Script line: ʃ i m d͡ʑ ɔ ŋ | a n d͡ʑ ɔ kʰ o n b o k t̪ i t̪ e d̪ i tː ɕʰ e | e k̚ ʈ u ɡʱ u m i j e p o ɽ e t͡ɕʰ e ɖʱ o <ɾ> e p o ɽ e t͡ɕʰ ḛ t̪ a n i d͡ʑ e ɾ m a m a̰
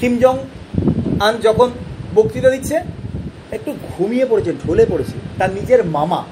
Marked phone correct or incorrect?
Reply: incorrect